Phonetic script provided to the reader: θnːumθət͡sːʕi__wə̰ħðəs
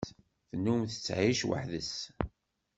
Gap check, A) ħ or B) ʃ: B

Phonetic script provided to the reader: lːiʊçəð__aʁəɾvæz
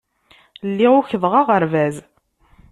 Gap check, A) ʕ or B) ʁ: B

